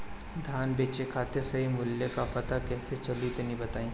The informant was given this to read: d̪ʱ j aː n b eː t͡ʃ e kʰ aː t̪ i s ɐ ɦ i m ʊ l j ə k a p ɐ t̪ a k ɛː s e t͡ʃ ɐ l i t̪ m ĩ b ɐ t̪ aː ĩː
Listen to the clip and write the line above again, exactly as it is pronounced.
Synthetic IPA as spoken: d̪ʱ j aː n b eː t͡ʃ e kʰ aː t̪ e s ɐ ɦ i m ʊ l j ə k a p ɐ t̪ a k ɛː s e t͡ʃ ɐ l i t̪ n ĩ b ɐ t̪ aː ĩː